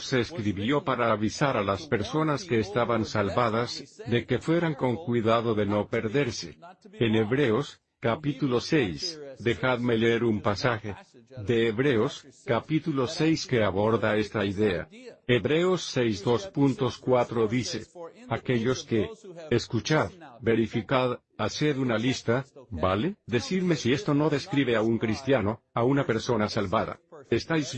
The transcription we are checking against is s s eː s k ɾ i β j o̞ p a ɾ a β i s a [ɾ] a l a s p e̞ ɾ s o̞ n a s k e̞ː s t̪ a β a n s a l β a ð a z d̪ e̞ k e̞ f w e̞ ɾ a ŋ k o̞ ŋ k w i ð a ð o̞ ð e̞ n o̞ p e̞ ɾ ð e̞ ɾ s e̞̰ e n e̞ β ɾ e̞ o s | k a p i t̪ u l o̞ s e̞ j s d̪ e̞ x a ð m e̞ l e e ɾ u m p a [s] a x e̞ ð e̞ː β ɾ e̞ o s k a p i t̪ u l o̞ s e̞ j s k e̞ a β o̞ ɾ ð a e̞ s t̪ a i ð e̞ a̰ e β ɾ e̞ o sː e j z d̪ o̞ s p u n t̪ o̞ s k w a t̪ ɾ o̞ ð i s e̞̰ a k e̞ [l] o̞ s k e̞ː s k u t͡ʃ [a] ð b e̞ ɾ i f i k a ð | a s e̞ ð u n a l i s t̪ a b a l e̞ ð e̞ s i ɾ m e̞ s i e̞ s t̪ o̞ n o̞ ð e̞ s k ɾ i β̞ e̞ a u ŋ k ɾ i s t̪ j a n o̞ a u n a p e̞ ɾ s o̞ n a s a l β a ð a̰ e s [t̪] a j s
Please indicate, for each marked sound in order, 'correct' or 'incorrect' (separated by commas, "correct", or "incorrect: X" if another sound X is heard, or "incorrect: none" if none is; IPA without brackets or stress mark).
correct, correct, incorrect: ʎ, correct, correct